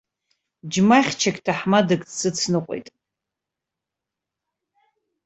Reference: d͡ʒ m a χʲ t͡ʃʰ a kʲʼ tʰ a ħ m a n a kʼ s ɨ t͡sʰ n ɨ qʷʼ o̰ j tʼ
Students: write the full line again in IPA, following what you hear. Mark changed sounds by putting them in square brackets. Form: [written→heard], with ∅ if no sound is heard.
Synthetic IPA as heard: d͡ʒ m a χʲ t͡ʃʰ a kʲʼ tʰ a ħ m a [n→d] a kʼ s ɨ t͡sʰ n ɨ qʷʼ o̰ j tʼ